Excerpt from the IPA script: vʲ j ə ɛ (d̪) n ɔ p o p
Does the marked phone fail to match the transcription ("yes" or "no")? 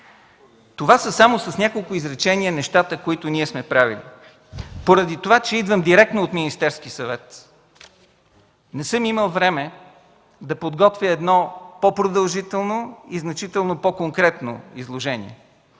no